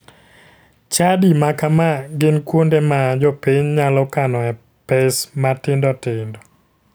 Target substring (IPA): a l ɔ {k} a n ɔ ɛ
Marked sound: correct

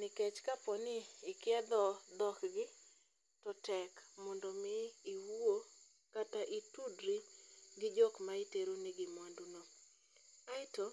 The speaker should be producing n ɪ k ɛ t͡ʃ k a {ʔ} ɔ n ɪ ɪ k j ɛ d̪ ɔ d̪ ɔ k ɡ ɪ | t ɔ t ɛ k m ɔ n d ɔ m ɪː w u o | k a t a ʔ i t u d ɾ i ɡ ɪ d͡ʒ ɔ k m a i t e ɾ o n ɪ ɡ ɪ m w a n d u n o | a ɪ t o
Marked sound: incorrect: p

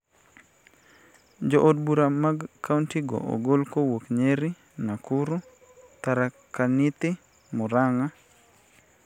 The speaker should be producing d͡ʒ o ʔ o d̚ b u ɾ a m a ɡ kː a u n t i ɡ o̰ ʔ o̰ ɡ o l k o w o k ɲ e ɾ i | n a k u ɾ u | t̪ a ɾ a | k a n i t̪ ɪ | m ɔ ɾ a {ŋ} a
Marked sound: correct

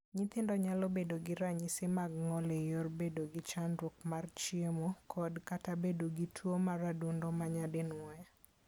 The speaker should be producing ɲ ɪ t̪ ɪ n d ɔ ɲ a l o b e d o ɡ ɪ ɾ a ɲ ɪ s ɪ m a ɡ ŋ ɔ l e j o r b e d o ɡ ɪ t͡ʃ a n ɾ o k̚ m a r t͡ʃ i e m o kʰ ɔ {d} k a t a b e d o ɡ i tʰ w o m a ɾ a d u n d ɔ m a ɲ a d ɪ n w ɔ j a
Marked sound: correct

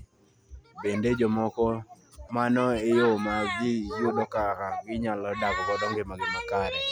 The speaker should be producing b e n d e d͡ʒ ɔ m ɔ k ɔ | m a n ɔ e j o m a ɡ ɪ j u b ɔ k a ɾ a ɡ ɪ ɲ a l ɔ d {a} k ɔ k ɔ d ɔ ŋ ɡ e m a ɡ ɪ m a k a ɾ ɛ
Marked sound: correct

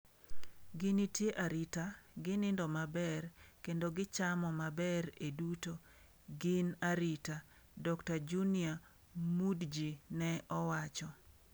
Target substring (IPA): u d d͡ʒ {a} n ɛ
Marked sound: incorrect: i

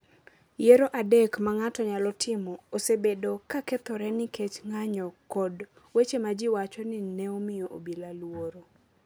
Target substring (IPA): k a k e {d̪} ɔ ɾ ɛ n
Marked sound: incorrect: t̪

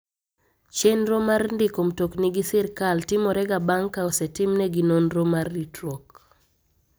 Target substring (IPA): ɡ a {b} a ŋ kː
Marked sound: correct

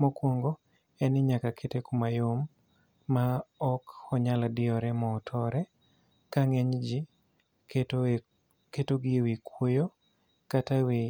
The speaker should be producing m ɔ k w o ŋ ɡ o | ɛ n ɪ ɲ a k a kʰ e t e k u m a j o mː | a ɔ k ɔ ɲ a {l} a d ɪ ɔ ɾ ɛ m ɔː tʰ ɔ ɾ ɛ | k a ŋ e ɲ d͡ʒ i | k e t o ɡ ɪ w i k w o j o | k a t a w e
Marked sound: correct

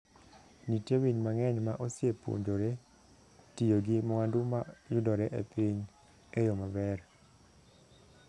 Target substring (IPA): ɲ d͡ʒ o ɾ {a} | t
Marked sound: incorrect: e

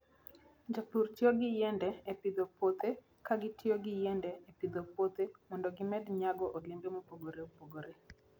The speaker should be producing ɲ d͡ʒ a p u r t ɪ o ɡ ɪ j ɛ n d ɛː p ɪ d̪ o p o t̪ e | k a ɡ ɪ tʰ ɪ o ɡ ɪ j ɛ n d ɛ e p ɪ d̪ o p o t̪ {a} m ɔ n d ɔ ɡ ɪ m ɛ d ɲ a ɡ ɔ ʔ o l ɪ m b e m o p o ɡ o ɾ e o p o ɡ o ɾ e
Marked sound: incorrect: e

